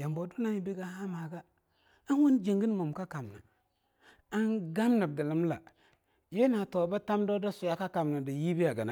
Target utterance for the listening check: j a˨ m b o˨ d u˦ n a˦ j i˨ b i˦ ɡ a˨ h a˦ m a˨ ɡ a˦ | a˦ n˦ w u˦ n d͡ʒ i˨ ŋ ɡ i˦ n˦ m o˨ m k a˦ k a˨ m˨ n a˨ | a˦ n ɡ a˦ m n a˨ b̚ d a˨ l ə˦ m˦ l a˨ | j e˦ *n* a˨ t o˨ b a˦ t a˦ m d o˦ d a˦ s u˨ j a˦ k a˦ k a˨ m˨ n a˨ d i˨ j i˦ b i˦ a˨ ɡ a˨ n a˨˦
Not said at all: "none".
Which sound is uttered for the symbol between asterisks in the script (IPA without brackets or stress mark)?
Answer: n